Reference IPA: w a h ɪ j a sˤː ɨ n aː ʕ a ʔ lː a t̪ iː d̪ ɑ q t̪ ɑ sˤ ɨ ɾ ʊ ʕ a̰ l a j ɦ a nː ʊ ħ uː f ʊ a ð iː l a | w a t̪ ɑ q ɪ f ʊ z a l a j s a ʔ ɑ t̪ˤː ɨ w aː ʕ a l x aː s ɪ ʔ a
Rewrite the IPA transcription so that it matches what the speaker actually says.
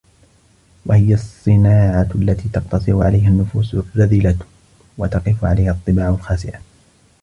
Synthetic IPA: w a h ɪ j a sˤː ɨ n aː ʕ a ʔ lː a t̪ iː t̪ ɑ q t̪ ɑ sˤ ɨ ɾ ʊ ʕ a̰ l a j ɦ a nː ʊ f uː s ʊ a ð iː l a | w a t̪ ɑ q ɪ f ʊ ʕ a l a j h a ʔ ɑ t̪ˤː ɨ b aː ʕ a l x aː s ɪ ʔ a

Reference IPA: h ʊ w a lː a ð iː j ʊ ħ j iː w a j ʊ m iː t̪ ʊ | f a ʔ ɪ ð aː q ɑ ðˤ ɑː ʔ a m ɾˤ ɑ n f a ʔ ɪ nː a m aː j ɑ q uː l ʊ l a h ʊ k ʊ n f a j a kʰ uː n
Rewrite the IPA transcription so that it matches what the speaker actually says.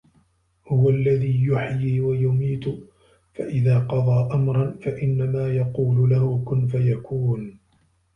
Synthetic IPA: h ʊ w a lː a ð iː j ʊ ħ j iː w a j ʊ m iː t̪ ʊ | f a ʔ ɪ ð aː q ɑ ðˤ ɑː ʔ a m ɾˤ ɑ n f a ʔ ɪ nː a m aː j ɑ q uː l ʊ l a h ʊ k ʊ n f a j a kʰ uː n

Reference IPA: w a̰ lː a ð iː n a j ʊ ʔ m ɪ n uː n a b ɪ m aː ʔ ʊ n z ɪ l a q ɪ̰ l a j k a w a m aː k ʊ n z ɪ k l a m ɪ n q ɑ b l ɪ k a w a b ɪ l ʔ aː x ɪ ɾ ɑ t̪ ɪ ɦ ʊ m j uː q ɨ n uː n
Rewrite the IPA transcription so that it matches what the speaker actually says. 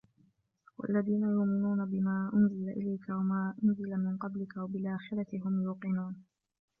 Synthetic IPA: w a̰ lː a ð iː n a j ʊ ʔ m ɪ n uː n a b ɪ m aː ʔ ʊ n z ɪ l a ʔ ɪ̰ l a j k a w a m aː ʔ ʊ n z ɪ l a m ɪ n q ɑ b l ɪ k a w a b ɪ l ʔ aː x ɪ ɾ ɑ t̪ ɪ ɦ ʊ m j uː q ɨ n uː n

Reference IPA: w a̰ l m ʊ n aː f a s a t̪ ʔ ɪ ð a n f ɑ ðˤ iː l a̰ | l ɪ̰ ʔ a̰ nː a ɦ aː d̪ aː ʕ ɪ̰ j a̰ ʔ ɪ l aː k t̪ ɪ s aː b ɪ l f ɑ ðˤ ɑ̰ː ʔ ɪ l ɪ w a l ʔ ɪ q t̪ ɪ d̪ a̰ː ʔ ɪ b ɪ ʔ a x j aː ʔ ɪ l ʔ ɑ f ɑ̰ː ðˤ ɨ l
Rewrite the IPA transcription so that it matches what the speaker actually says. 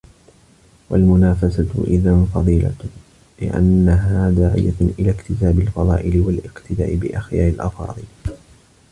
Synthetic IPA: w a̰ l m ʊ n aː f a s a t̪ ʔ ɪ ð a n f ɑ ðˤ iː l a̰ | l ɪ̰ ʔ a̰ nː a ɦ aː d̪ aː ʕ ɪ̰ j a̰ ʔ ɪ l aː k t̪ ɪ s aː b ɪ l f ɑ ðˤ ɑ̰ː ʔ ɪ l ɪ w a l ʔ ɪ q t̪ ɪ d̪ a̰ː ʔ ɪ b ɪ ʔ a x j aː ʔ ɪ l ʔ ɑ f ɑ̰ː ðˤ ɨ l

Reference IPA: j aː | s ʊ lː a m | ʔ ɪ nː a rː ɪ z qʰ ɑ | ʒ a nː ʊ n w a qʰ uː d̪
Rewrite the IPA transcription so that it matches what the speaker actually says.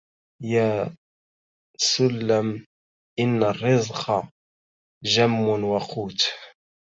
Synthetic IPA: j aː | s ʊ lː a m | ʔ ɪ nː a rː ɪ z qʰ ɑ | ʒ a mː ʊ n w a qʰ uː t̪

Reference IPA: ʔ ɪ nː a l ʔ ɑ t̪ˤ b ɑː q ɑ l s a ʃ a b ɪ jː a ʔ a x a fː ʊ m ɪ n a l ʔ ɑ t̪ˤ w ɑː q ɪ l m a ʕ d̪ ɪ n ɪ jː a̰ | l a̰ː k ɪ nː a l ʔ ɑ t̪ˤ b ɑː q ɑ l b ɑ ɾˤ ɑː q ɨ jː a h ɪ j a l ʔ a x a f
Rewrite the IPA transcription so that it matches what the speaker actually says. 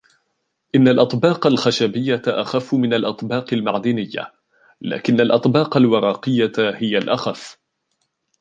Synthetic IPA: ʔ ɪ nː a l ʔ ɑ t̪ˤ b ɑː q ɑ l x a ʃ a b ɪ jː a ʔ a x a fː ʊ m ɪ n a l ʔ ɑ t̪ˤ b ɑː q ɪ l m a ʕ d̪ ɪ n ɪ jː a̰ | l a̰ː k ɪ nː a l ʔ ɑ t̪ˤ b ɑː q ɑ l w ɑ ɾˤ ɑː q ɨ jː a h ɪ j a l ʔ a x a f

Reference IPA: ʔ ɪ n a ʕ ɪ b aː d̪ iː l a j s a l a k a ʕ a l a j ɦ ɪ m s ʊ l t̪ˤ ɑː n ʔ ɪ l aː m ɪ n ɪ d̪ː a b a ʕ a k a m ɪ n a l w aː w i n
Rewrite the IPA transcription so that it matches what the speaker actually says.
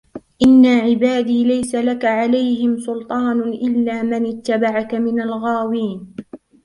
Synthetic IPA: ʔ ɪ nː a ʕ ɪ b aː d̪ iː l a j s a l a k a ʕ a l a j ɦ ɪ m s ʊ l t̪ˤ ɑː n ʔ ɪ lː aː m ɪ n ɪ t̪ː a b a ʕ a k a m ɪ n a l ɣ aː w iː n

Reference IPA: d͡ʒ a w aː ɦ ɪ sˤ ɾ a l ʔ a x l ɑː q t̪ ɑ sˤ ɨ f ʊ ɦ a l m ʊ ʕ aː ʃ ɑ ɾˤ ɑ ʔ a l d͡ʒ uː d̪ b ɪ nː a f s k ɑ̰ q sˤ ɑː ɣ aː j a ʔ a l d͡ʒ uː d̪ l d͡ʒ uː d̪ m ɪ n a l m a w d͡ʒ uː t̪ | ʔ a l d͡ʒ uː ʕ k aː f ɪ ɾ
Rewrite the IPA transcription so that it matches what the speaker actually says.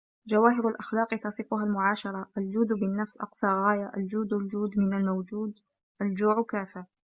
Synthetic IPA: d͡ʒ a w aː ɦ ɪ ɾ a l ʔ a x l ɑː q t̪ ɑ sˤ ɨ f ʊ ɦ a l m ʊ ʕ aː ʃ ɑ ɾˤ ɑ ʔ a l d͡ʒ uː d̪ b ɪ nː a f s ʔ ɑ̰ q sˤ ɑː ɣ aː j a ʔ a l d͡ʒ uː d̪ l d͡ʒ uː d̪ m ɪ n a l m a w d͡ʒ uː d̪ | ʔ a l d͡ʒ uː ʕ k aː f ɪ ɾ

